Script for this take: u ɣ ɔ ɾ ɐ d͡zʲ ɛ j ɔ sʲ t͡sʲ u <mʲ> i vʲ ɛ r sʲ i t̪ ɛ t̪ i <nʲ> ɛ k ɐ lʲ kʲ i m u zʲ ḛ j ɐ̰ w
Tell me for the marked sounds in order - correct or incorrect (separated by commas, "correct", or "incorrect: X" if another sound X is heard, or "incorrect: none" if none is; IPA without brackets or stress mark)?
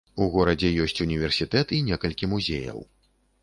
incorrect: nʲ, correct